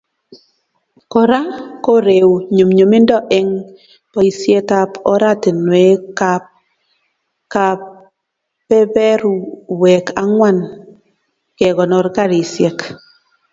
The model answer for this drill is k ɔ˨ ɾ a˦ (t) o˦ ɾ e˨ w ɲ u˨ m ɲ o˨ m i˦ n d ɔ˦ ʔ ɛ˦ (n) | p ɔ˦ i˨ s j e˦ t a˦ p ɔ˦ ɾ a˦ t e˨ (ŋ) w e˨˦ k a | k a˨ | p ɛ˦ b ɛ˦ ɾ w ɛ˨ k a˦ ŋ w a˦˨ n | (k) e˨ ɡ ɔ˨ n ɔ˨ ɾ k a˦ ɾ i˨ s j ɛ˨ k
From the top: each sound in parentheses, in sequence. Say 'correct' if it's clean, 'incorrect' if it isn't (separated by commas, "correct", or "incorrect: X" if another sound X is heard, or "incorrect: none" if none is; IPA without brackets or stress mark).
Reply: incorrect: k, incorrect: ŋ, incorrect: n, correct